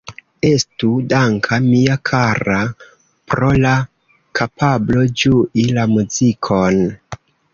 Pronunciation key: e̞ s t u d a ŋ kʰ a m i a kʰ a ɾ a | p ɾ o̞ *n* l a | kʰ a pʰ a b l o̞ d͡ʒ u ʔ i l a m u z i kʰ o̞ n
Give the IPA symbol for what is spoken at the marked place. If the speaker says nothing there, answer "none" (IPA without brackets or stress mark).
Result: none